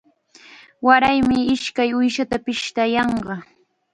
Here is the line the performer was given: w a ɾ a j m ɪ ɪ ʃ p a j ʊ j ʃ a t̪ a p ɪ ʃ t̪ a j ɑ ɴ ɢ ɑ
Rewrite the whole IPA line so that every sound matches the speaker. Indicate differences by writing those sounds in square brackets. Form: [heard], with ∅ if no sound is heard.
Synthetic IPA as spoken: w a ɾ a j m ɪ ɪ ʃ [k] a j ʊ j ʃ a t̪ a p ɪ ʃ t̪ a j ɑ ɴ ɢ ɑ